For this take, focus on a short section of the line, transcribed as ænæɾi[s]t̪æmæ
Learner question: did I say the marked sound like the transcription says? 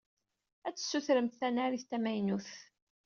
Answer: no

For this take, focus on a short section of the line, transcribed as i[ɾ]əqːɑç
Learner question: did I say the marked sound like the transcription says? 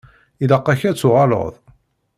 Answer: no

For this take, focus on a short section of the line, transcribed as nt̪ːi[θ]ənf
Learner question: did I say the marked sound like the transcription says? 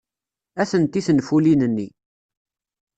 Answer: yes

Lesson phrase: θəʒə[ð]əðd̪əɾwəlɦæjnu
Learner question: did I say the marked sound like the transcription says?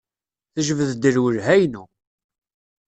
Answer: no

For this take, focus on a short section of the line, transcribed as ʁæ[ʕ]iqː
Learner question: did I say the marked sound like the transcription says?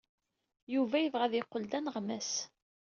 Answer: no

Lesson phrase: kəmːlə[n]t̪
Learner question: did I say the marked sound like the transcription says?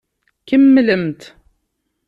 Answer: no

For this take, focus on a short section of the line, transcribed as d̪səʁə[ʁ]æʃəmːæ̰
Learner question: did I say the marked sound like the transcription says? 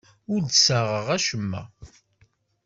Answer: yes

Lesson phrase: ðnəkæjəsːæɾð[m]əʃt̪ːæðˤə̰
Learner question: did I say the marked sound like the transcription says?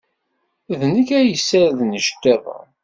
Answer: no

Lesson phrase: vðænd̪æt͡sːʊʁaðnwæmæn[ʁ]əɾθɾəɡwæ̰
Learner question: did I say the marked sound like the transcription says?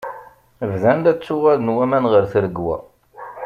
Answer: yes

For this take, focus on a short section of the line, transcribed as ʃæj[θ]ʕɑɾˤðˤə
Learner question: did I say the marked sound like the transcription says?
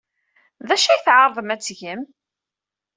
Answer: yes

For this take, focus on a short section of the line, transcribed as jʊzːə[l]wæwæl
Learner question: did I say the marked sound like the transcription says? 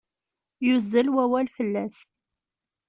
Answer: yes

